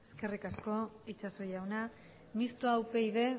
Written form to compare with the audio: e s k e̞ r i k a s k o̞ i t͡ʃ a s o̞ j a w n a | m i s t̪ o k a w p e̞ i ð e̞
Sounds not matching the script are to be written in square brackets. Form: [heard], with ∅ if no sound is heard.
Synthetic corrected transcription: e s k e̞ r i k a s k o̞ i t͡ʃ a s o̞ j a w n a | m i s t̪ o [∅] a w p e̞ i ð e̞